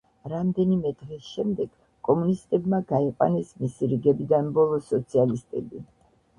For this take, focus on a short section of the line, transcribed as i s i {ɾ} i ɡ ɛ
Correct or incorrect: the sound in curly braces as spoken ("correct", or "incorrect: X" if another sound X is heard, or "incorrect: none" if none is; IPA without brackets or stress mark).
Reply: correct